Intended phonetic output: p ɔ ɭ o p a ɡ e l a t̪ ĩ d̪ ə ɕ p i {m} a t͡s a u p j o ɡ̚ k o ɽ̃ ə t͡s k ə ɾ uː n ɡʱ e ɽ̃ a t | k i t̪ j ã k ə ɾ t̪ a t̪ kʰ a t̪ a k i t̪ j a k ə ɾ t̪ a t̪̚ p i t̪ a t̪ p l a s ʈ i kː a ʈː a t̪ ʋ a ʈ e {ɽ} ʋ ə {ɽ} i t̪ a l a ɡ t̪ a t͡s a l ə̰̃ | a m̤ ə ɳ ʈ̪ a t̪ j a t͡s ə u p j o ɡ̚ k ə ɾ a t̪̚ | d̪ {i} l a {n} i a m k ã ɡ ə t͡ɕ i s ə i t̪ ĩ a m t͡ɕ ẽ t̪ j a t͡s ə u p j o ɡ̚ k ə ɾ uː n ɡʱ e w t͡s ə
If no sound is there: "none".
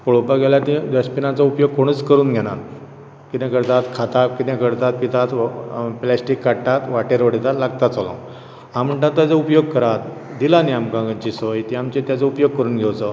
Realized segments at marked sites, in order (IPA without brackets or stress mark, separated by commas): n, ɾ, ɽ, i, n